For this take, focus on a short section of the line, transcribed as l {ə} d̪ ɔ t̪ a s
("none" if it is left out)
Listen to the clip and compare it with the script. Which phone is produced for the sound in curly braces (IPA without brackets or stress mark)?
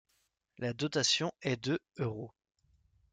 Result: a